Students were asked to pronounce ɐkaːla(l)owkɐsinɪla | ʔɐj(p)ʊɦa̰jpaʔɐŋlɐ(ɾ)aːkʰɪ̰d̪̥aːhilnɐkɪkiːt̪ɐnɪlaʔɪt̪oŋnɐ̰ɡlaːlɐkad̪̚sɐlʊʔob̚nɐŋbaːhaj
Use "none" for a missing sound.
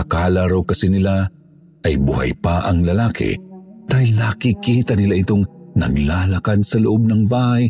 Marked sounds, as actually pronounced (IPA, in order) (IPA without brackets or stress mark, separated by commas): ɾ, b, l